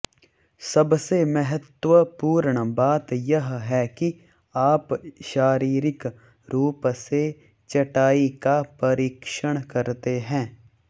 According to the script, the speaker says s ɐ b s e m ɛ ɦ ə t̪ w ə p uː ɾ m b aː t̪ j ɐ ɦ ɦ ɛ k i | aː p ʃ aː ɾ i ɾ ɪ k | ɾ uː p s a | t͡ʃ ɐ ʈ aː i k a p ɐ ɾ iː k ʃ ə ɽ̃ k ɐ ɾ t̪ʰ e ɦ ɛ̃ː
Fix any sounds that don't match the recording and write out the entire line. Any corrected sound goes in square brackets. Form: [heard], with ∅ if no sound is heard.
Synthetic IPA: s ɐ b s e m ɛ ɦ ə t̪ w ə p uː ɾ [ɳ] b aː t̪ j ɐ ɦ ɦ ɛ k i | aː p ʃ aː ɾ [iː] ɾ ɪ k | ɾ uː p s [e] | t͡ʃ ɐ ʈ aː i k a p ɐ ɾ iː k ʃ ə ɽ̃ k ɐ ɾ [t̪] e ɦ ɛ̃ː

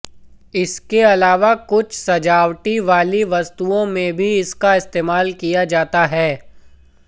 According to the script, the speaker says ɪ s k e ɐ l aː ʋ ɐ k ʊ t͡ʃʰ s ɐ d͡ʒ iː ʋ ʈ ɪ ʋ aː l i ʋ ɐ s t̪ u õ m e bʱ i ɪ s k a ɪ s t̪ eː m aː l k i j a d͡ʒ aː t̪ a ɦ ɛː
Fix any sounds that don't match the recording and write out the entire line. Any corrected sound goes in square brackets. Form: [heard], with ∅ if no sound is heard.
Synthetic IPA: ɪ s k e ɐ l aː ʋ [a] k ʊ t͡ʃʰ s ɐ d͡ʒ [aː] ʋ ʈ [i] ʋ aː l i ʋ ɐ s t̪ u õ m [ẽ] bʱ i ɪ s k a ɪ s t̪ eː m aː l k i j a d͡ʒ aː t̪ a ɦ ɛː

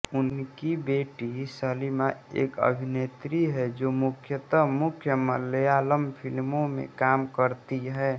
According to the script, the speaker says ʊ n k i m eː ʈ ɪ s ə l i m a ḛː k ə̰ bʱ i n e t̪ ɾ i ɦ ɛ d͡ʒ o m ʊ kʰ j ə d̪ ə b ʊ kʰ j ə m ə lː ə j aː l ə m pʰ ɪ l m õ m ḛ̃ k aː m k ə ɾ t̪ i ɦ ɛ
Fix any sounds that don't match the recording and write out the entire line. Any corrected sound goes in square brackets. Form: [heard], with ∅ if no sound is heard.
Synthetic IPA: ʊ n k i [b] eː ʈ [i] s ə l i m a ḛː k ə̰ bʱ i n e t̪ ɾ i ɦ ɛ d͡ʒ o m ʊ kʰ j ə [t̪] ə [m] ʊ kʰ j ə m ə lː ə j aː l ə m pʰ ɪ l m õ m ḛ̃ k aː m k ə ɾ t̪ i ɦ ɛ

